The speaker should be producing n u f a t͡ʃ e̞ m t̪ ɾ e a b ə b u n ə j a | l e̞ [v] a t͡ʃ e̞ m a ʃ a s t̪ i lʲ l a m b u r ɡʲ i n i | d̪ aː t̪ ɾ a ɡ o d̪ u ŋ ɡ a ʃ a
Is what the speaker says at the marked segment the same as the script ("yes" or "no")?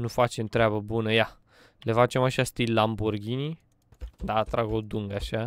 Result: no